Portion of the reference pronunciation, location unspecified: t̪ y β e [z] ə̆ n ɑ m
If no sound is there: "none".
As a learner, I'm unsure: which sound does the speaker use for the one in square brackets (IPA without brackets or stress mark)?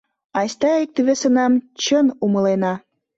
s